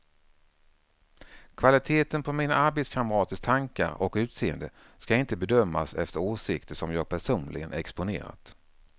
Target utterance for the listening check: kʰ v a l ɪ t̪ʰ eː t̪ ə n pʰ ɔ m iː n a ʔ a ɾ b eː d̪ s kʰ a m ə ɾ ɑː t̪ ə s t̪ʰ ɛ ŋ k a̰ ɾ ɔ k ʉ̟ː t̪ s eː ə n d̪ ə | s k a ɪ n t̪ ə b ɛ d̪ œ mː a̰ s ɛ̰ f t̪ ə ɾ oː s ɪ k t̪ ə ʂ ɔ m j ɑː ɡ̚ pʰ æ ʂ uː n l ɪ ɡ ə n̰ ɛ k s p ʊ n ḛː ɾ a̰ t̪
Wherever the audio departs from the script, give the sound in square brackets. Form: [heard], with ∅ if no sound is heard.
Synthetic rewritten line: kʰ v a l ɪ t̪ʰ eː t̪ ə n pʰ ɔ m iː n a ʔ a ɾ b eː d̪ s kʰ a m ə ɾ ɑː t̪ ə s t̪ʰ [a] ŋ k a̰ ɾ ɔ k ʉ̟ː t̪ s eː ə n d̪ ə | s k a ɪ n t̪ ə b ɛ d̪ œ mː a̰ s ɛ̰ f t̪ ə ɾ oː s ɪ k t̪ ə ʂ ɔ m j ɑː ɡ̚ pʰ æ ʂ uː n l ɪ ɡ ə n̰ ɛ k s p ʊ n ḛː ɾ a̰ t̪